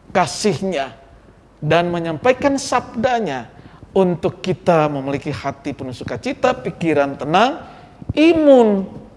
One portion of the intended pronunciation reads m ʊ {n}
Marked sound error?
no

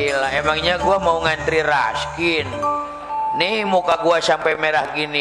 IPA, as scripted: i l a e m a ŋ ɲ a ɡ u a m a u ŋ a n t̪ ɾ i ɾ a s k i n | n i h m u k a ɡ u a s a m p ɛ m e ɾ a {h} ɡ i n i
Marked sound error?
no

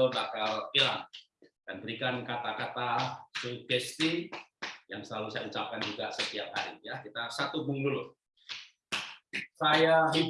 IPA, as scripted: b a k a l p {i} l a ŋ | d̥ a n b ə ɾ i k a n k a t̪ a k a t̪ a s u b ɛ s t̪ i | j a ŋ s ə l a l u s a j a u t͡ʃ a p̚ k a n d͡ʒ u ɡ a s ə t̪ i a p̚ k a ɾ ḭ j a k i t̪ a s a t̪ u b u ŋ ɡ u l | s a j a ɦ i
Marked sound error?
no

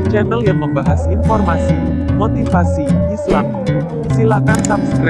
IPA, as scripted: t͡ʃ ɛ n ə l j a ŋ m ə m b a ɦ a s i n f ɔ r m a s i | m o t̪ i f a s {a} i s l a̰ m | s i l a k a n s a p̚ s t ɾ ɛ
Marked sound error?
yes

